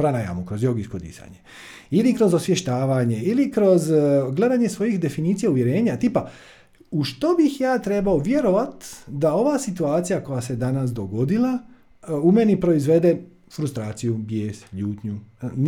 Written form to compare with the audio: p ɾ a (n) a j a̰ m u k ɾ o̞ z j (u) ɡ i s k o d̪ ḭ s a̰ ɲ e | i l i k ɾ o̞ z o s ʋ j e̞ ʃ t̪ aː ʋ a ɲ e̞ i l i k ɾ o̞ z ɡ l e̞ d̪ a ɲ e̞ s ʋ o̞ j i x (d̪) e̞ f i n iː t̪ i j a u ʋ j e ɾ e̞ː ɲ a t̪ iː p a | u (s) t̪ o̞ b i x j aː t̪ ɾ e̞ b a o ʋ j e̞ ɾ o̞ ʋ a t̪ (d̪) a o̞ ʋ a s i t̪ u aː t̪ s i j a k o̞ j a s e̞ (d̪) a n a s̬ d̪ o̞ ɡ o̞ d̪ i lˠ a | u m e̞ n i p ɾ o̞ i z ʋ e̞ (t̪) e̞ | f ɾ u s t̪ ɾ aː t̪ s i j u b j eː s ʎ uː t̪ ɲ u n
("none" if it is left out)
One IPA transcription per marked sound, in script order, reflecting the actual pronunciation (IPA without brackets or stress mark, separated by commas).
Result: n, o, d̪, ʃ, d̪, d̪, d̪